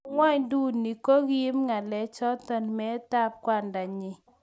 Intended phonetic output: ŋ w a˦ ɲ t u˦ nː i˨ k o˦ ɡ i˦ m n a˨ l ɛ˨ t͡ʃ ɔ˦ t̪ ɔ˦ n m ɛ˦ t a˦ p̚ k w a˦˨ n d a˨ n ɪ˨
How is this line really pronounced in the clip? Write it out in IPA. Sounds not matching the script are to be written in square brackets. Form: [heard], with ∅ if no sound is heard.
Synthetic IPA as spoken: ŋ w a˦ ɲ [d] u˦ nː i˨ k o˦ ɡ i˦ m [ŋ] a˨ l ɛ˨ t͡ʃ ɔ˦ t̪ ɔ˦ n m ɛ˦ t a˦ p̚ k w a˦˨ n d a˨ [ɲ] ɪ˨